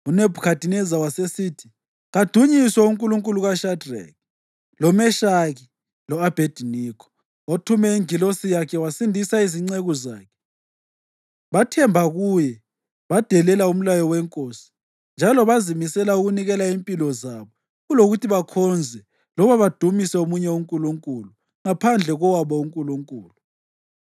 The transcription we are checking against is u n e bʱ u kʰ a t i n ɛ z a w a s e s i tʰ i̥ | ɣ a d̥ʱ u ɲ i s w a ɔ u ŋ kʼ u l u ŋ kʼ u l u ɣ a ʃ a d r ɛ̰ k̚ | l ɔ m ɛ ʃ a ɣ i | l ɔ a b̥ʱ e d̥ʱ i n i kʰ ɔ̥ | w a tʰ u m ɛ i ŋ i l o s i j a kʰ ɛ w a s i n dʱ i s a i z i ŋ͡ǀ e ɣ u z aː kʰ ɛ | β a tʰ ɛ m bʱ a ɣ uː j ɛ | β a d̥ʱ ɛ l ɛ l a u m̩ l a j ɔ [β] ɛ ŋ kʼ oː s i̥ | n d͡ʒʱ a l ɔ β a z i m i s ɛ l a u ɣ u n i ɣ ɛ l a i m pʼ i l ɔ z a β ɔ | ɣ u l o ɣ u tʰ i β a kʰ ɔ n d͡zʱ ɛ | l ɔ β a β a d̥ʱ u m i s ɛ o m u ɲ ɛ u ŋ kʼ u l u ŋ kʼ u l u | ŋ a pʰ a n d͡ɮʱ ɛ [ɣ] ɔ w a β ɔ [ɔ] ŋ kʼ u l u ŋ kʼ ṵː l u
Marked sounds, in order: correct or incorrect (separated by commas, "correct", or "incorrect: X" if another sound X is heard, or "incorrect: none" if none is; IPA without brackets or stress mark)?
incorrect: w, correct, incorrect: u